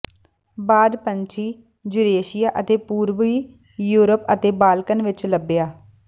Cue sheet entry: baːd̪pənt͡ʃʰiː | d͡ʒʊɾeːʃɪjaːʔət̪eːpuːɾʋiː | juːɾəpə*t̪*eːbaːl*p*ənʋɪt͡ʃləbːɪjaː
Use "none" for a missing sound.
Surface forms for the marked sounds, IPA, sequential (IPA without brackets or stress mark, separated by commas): t̪, k